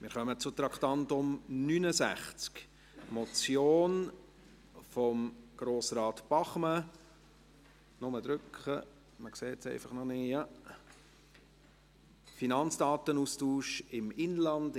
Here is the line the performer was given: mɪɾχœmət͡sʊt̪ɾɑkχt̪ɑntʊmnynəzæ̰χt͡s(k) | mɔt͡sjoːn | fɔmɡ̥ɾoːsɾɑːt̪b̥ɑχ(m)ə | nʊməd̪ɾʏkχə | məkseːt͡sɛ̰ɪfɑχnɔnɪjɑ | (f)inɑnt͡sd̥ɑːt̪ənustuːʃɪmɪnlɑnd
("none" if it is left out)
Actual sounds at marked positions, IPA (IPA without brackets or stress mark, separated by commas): k, m, f